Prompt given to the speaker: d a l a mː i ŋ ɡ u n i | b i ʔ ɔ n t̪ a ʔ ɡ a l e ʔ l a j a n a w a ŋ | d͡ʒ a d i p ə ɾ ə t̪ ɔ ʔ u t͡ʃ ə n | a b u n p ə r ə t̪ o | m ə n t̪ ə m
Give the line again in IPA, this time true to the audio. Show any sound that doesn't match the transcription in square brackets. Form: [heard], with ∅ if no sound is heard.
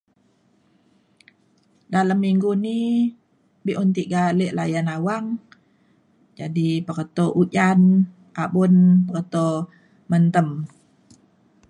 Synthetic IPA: d a l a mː i ŋ ɡ u n i | b i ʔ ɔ n t̪ [i] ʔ ɡ a l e ʔ l a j a n a w a ŋ | d͡ʒ a d i p ə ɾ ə t̪ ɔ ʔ u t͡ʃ [a] n | a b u n p ə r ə t̪ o | m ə n t̪ ə m